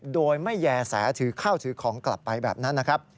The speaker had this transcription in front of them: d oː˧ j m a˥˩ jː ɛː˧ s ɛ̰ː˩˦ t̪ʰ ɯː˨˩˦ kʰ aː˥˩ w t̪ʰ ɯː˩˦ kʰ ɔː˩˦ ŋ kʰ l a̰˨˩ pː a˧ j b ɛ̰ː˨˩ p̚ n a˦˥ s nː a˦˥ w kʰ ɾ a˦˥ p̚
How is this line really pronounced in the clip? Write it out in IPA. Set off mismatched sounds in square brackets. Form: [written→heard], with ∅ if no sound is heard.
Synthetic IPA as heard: d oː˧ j m a˥˩ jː ɛː˧ s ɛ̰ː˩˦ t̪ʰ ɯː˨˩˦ kʰ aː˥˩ w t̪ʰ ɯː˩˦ kʰ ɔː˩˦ ŋ [kʰ→k] l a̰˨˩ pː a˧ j b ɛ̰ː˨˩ p̚ n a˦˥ [s→∅] nː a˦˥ [w→∅] kʰ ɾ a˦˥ p̚